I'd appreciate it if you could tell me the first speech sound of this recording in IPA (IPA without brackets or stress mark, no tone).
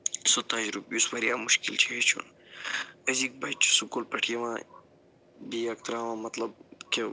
s